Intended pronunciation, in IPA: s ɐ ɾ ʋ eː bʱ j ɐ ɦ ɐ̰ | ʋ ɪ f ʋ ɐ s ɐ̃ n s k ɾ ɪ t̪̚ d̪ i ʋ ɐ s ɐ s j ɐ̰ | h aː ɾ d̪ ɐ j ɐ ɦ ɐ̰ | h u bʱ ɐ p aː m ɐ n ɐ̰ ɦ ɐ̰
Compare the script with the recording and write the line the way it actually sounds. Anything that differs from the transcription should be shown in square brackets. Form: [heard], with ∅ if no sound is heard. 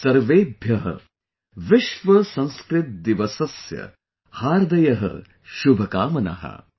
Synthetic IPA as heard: s ɐ ɾ ʋ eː bʱ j ɐ ɦ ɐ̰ | ʋ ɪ [ʃ] ʋ ɐ s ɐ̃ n s k ɾ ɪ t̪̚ d̪ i ʋ ɐ s ɐ s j ɐ̰ | h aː ɾ d̪ ɐ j ɐ ɦ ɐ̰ | [ʃ] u bʱ ɐ [k] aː m ɐ n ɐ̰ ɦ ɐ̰